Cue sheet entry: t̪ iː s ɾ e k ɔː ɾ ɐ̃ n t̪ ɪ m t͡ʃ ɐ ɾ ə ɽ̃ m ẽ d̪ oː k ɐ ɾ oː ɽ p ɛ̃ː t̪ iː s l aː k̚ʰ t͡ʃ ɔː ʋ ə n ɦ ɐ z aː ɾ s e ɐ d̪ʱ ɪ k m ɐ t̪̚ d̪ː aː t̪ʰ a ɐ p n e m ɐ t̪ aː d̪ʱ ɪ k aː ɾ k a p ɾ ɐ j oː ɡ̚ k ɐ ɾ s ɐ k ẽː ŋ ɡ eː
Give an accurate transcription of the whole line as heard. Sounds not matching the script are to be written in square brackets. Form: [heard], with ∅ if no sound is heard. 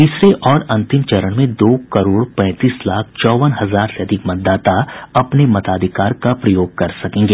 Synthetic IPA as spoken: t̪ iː s ɾ e [ʔ] ɔː ɾ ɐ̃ n t̪ ɪ m t͡ʃ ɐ ɾ ə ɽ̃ m ẽ d̪ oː k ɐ ɾ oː ɽ p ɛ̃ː t̪ iː s l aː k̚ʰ t͡ʃ ɔː ʋ ə n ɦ ɐ z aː ɾ s e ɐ d̪ʱ ɪ k m ɐ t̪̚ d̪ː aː [t̪] a ɐ p n e m ɐ t̪ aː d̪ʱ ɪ k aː ɾ k a p ɾ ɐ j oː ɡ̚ k ɐ ɾ s ɐ k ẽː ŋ ɡ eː